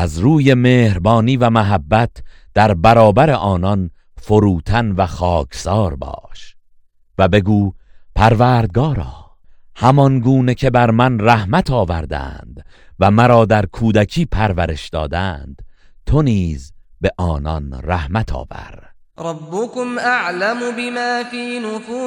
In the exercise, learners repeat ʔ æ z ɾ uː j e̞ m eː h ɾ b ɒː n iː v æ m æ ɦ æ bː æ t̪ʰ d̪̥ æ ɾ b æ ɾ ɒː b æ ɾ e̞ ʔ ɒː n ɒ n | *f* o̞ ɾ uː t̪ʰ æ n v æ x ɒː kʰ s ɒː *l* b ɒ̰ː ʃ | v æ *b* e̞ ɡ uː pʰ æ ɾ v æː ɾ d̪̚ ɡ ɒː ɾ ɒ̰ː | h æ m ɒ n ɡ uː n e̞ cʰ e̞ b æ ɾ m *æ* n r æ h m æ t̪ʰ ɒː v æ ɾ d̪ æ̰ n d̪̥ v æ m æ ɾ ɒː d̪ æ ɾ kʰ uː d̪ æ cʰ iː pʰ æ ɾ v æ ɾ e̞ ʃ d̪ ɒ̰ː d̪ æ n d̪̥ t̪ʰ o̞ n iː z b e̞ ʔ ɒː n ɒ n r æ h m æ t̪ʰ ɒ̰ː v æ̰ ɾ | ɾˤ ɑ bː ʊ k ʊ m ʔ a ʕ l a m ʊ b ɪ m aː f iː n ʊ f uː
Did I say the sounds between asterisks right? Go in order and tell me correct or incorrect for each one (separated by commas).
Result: correct, incorrect, correct, correct